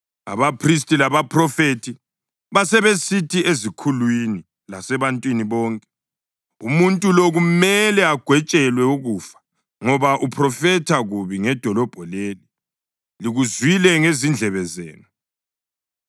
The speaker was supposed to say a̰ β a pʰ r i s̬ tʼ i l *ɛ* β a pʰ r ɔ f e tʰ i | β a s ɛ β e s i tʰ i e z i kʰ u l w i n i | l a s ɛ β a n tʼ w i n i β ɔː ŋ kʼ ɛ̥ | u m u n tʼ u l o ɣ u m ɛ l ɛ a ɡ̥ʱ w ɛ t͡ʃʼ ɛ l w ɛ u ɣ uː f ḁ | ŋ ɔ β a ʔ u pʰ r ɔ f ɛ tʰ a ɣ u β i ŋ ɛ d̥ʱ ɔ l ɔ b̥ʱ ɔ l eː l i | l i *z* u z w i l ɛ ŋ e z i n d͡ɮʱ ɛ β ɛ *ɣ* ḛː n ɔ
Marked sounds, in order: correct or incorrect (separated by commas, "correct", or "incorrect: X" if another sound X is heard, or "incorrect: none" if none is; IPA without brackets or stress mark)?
incorrect: a, incorrect: ɣ, incorrect: z